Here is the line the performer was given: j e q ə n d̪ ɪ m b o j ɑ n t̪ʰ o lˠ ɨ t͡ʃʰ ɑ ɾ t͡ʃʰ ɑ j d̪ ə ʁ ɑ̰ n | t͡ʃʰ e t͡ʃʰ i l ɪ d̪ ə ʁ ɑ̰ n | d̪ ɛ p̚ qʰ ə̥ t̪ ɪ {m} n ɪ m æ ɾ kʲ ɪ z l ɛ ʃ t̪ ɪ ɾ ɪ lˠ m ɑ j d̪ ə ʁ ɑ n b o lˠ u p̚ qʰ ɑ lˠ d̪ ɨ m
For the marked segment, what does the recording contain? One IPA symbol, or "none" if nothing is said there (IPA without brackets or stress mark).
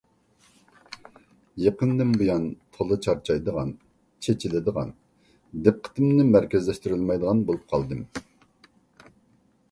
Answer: m